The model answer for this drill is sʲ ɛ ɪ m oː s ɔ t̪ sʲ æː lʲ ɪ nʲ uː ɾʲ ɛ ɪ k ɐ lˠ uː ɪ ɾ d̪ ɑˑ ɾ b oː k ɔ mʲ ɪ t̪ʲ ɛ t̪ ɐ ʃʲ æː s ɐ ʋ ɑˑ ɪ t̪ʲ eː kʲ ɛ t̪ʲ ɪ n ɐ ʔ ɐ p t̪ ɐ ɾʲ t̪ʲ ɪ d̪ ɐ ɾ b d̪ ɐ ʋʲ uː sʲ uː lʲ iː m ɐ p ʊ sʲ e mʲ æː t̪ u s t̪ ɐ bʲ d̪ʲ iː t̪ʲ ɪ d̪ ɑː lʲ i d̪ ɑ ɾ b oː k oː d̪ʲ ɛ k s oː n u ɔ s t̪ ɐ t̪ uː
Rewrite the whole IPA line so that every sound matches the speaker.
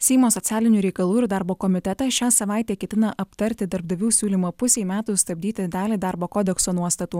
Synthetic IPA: sʲ ɛ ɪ m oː s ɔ t̪ sʲ æː lʲ ɪ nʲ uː ɾʲ ɛ ɪ k ɐ lˠ uː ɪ ɾ d̪ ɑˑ ɾ b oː k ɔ mʲ ɪ t̪ʲ ɛ t̪ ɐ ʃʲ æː s ɐ ʋ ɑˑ ɪ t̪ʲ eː kʲ ɛ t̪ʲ ɪ n ɐ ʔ ɐ p t̪ ɐ ɾʲ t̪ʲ ɪ d̪ ɐ ɾ b d̪ ɐ ʋʲ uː sʲ uː lʲ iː m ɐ p ʊ sʲ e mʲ æː t̪ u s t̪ ɐ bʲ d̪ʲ iː t̪ʲ ɪ d̪ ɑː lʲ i d̪ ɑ ɾ b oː k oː d̪ʲ ɛ k s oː n u ɔ s t̪ ɐ t̪ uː